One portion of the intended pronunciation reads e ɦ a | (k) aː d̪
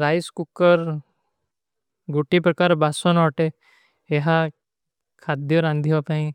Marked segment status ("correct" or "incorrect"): incorrect